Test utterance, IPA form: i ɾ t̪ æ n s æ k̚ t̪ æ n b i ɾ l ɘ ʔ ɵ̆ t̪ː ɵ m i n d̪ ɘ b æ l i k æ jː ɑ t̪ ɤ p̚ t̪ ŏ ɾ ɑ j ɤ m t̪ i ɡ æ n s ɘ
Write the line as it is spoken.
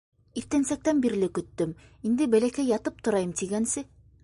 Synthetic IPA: i ɾ t̪ æ n s æ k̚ t̪ æ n b i ɾ l ɘ k ɵ̆ t̪ː ɵ m i n d̪ ɘ b æ l æ k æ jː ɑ t̪ ɤ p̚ t̪ ŏ ɾ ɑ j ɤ m t̪ i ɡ æ n s ɘ